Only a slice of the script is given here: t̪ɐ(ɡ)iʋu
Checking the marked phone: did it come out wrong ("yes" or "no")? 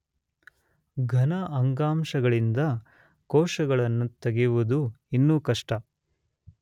no